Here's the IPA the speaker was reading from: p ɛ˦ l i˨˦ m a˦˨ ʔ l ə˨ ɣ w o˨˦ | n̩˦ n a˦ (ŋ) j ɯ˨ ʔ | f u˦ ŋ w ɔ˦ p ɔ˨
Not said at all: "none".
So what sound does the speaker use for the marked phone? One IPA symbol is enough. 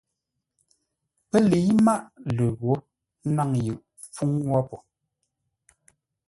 ŋ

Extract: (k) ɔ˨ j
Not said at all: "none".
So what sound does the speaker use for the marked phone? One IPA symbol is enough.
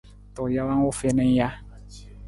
t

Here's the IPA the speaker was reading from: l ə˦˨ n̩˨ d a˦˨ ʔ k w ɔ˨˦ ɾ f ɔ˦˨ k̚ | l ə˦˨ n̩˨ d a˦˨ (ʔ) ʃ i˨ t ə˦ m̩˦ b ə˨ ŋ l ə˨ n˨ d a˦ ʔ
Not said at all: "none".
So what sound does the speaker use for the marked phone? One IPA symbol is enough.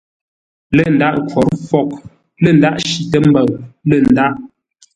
ʔ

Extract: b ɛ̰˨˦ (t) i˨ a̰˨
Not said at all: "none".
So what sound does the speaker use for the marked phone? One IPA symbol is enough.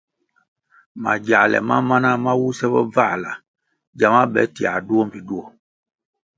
t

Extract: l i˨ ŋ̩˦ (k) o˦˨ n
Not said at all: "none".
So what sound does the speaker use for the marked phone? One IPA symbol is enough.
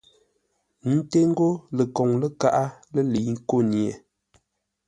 k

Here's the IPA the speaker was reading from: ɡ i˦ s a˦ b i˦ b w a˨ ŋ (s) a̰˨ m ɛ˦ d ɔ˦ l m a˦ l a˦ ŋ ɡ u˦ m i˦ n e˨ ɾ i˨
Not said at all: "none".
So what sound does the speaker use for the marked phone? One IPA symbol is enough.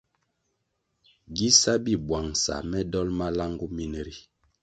s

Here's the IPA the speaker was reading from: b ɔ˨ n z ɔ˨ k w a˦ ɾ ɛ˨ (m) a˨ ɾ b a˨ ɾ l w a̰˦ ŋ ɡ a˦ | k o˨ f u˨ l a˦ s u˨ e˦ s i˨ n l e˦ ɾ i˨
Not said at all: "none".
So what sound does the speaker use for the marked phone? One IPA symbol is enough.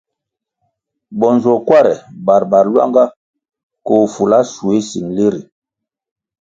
b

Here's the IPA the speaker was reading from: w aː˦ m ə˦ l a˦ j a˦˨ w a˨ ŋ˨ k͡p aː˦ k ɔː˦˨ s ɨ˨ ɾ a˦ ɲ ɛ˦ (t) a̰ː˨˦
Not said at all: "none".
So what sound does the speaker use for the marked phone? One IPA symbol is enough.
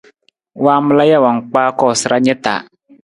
t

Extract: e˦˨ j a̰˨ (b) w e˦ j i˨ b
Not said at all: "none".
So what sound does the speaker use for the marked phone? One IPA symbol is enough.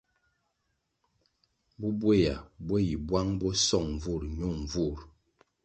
b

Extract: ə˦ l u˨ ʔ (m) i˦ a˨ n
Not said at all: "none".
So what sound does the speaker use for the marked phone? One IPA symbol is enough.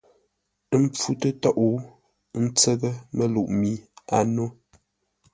m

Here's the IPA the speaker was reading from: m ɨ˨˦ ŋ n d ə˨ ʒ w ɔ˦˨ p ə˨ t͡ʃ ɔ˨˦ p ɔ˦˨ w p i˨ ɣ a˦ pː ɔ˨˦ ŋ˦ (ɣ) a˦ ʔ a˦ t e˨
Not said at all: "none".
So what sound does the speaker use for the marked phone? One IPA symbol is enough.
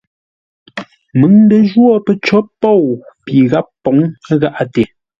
ɣ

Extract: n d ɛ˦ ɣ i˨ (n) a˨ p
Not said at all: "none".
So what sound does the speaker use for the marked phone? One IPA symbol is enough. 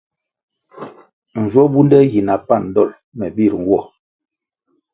n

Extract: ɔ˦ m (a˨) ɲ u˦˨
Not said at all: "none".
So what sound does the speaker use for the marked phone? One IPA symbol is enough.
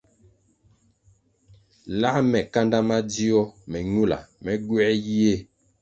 ɛ˨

